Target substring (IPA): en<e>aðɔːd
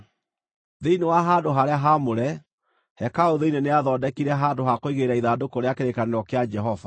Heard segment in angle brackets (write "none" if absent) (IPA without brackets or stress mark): e